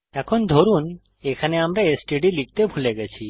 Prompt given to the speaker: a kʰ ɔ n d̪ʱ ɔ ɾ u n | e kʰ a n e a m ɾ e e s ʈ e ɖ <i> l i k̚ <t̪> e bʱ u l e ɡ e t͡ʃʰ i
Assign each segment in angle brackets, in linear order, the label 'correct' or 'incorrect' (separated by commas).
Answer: correct, correct